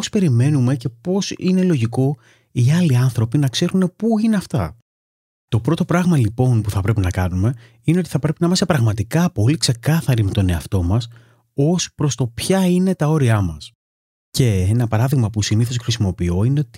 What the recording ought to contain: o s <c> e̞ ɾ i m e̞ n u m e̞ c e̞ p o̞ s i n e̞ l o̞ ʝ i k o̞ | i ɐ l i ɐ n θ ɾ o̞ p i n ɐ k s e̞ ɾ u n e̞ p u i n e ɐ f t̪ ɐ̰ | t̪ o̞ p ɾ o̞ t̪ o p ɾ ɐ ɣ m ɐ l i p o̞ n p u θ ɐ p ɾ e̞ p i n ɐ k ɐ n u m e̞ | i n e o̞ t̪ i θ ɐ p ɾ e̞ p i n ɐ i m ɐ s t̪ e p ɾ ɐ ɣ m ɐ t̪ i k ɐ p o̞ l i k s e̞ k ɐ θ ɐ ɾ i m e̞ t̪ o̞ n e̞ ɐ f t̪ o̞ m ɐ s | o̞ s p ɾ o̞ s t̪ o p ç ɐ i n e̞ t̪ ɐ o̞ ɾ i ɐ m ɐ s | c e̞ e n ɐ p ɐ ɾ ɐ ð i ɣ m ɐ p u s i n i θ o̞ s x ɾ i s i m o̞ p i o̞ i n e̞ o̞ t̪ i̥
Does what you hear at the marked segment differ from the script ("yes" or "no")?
yes